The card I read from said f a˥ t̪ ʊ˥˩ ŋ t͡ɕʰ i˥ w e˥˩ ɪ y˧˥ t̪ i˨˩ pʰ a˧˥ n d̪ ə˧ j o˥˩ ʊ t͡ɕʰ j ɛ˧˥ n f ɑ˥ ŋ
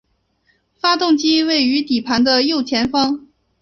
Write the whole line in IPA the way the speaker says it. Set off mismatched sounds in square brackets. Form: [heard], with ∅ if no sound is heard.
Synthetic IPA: f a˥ t̪ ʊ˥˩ ŋ [t͡ɕ] i˥ w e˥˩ ɪ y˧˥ t̪ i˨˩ pʰ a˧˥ n d̪ ə˧ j o˥˩ ʊ t͡ɕʰ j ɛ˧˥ n f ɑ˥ ŋ